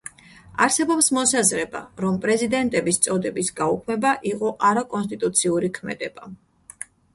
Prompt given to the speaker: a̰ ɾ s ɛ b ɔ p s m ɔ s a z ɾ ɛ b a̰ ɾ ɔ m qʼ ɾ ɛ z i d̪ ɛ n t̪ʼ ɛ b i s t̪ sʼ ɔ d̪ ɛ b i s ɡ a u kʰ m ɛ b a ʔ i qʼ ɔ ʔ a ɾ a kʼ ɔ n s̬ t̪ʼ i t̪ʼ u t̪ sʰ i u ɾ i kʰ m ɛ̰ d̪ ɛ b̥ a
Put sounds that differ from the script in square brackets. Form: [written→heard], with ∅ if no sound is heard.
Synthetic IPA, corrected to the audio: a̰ ɾ s ɛ b ɔ p s m ɔ s a z ɾ ɛ b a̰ ɾ ɔ m [qʼ→pʼ] ɾ ɛ z i d̪ ɛ n t̪ʼ ɛ b i s t̪ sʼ ɔ d̪ ɛ b i s ɡ a u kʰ m ɛ b a ʔ i qʼ ɔ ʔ a ɾ a kʼ ɔ n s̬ t̪ʼ i t̪ʼ u t̪ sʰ i u ɾ i kʰ m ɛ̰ d̪ ɛ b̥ a

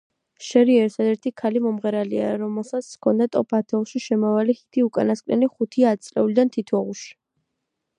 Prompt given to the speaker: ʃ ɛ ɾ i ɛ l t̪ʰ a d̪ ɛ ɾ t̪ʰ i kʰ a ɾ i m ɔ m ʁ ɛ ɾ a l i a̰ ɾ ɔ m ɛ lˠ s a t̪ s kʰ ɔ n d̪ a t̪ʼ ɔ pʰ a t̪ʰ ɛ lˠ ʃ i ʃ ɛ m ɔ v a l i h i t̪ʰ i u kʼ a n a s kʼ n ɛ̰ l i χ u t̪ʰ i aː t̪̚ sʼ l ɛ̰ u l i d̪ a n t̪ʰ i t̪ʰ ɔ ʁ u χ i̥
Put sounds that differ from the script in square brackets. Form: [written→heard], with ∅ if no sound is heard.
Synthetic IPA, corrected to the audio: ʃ ɛ ɾ i ɛ [l→ɾ] t̪ʰ a d̪ ɛ ɾ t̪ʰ i kʰ a [ɾ→l] i m ɔ m ʁ ɛ ɾ a l i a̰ ɾ ɔ m ɛ lˠ s a t̪ s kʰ ɔ n d̪ a t̪ʼ ɔ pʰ a t̪ʰ ɛ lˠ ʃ i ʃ ɛ m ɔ v a l i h i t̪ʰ i u kʼ a n a s kʼ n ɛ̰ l i χ u t̪ʰ i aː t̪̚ sʼ l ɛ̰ u l i d̪ a n t̪ʰ i t̪ʰ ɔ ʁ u [χ→ʃ] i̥

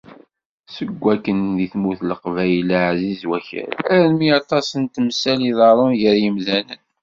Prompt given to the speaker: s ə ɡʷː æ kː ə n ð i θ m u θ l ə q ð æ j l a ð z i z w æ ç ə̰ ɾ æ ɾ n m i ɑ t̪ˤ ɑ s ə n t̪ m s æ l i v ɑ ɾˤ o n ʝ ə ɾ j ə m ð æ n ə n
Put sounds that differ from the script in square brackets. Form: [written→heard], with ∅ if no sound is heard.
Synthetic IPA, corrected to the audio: s ə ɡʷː æ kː ə n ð i θ m u θ l ə q [ð→v] æ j l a [ð→ʕ] z i z w æ ç ə̰ ɾ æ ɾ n m i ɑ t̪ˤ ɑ s ə n t̪ m s æ l i [v→ð] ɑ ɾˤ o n ʝ ə ɾ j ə m ð æ n ə n

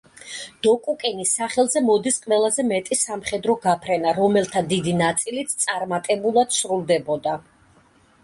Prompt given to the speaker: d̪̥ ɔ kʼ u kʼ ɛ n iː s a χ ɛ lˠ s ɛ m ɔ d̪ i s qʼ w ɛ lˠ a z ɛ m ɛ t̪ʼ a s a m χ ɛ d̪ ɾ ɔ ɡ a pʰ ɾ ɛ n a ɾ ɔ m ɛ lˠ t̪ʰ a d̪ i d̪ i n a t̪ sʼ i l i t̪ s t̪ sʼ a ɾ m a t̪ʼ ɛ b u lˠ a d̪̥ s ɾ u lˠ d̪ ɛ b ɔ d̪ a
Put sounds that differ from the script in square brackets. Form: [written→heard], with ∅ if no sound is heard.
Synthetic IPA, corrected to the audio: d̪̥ ɔ kʼ u kʼ ɛ n [iː→i] s a χ ɛ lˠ [s→z] ɛ m ɔ d̪ i s qʼ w ɛ lˠ a z ɛ m ɛ t̪ʼ [a→i] s a m χ ɛ d̪ ɾ ɔ ɡ a pʰ ɾ ɛ n a ɾ ɔ m ɛ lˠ t̪ʰ a d̪ i d̪ i n a t̪ sʼ i l i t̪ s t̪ sʼ a ɾ m a t̪ʼ ɛ b u lˠ a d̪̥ s ɾ u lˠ d̪ ɛ b ɔ d̪ a

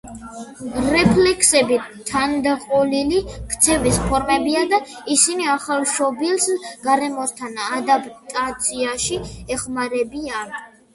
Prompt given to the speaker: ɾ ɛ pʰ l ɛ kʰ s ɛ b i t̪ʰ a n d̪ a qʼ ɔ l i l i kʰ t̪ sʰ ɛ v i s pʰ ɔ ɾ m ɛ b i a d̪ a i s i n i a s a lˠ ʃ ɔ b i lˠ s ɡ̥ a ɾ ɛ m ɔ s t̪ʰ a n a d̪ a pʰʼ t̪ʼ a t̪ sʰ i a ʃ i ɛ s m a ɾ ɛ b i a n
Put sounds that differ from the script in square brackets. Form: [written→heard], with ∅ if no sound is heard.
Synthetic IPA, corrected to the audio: ɾ ɛ pʰ l ɛ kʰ s ɛ b i t̪ʰ a n d̪ a qʼ ɔ l i l i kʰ t̪ sʰ ɛ v i s pʰ ɔ ɾ m ɛ b i a d̪ a i s i n i a [s→χ] a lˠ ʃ ɔ b i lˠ s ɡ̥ a ɾ ɛ m ɔ s t̪ʰ a n a d̪ a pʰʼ t̪ʼ a t̪ sʰ i a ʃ i ɛ [s→χ] m a ɾ ɛ b i a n

